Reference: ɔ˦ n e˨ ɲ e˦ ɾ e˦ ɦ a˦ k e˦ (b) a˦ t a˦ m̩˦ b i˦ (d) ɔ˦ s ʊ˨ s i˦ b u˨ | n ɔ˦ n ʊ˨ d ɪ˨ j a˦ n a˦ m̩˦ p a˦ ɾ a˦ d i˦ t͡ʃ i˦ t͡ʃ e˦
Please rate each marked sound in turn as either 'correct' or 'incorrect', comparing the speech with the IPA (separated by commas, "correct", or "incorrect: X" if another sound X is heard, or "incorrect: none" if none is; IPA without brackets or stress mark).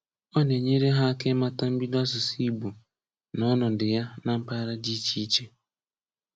incorrect: m, correct